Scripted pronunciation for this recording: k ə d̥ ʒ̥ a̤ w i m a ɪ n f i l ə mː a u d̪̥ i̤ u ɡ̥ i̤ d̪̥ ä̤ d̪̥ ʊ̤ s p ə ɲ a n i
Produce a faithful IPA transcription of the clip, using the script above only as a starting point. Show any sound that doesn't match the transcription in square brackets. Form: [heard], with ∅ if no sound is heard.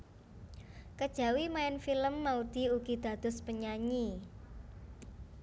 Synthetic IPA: k ə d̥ ʒ̥ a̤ w i m a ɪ n f i l ə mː a u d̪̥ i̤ u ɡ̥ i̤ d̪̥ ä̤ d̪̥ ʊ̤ s p ə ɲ a [ɲ] i